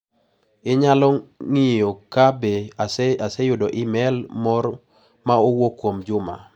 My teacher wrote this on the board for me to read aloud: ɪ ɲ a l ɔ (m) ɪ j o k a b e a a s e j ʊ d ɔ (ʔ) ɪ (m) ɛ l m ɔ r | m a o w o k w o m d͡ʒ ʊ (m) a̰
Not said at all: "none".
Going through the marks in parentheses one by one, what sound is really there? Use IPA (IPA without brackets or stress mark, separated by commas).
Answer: ŋ, ʔ, m, m